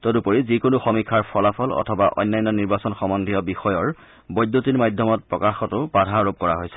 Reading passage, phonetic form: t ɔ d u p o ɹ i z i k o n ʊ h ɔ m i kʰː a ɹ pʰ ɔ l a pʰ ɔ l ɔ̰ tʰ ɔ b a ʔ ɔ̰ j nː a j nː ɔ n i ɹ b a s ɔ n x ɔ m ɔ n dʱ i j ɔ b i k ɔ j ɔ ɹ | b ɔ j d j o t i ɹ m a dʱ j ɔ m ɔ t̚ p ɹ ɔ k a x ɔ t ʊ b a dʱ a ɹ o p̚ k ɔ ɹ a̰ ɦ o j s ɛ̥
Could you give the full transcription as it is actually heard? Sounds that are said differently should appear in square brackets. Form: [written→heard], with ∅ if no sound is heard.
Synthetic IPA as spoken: t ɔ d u p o ɹ i z i k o n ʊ [h→x] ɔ m i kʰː a ɹ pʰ ɔ l a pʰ ɔ l ɔ̰ tʰ ɔ b a ʔ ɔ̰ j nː a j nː ɔ n i ɹ b a s ɔ n x ɔ m ɔ n dʱ i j ɔ b i [k→x] ɔ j ɔ ɹ | b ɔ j d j o t i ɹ m a dʱ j ɔ m ɔ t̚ p ɹ ɔ k a x ɔ t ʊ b a dʱ a ɹ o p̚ k ɔ ɹ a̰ ɦ o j s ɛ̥